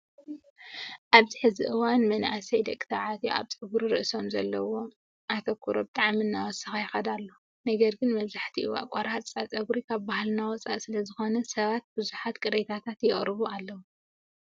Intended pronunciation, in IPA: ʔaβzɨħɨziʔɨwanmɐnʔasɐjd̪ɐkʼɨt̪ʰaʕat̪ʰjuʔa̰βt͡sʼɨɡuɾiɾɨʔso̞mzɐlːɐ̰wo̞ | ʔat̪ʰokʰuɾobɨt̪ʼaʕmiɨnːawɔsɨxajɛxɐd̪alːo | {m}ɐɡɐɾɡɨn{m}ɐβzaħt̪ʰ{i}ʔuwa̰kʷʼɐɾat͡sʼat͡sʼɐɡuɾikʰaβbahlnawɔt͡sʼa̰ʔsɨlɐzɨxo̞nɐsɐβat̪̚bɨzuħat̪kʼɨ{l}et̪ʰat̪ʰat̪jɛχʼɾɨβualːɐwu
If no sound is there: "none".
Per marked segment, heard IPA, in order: n, m, i, ɾ

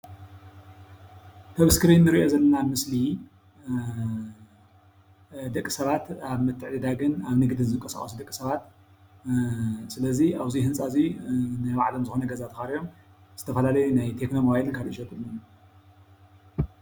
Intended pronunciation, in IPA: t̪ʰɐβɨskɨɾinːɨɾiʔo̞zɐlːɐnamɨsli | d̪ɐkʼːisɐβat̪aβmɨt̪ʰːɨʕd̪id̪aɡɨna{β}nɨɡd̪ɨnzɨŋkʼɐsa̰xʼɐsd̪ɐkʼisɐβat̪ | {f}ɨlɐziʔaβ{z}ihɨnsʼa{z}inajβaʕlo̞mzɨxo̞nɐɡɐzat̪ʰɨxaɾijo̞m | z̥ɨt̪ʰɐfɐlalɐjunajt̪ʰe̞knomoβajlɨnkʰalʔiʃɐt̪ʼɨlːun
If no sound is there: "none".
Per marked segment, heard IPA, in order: β, s, z, z

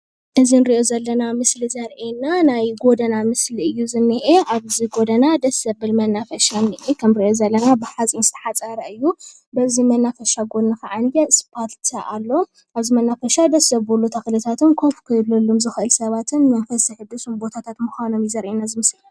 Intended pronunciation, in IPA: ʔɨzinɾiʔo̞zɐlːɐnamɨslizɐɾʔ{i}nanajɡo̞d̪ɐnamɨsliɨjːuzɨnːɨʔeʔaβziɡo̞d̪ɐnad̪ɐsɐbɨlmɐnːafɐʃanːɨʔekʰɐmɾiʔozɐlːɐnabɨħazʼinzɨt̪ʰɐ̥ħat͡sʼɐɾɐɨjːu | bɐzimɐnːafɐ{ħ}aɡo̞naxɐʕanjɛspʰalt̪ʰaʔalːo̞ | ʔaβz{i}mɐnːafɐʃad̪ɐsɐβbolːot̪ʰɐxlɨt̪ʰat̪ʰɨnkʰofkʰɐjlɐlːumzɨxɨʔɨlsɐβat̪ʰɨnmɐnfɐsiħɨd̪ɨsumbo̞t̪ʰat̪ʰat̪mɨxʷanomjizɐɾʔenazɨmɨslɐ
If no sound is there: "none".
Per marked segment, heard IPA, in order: e, ʃ, i

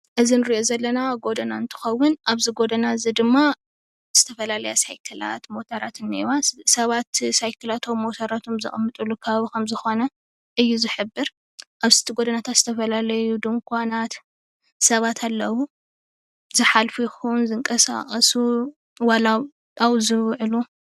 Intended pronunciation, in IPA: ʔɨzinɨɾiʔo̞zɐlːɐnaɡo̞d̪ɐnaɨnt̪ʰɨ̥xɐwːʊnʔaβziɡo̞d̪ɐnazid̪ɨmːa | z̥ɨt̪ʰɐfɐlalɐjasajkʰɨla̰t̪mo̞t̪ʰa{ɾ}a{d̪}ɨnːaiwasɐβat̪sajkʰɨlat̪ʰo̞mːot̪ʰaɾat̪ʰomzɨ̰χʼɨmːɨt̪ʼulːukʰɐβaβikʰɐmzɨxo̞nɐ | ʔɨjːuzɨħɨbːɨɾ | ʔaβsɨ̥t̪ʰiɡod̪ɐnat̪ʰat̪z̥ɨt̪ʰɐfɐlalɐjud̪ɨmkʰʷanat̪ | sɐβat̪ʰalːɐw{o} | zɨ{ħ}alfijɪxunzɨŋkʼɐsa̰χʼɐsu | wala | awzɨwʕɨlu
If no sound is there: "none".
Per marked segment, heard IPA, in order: ɾ, t̪, u, ħ

